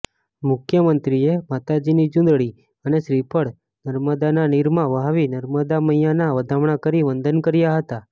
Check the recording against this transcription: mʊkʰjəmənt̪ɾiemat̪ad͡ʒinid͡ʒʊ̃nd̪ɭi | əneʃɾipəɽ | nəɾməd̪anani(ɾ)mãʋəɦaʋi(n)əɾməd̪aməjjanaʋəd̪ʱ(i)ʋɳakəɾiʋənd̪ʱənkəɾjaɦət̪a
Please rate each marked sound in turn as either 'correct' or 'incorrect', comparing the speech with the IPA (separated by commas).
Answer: correct, correct, incorrect